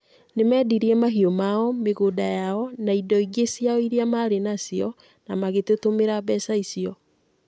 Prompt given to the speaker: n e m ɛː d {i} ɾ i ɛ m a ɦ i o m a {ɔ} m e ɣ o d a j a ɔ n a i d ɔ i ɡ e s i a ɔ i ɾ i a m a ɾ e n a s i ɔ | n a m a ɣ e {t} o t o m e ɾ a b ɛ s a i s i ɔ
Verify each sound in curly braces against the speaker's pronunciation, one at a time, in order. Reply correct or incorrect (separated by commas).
correct, correct, correct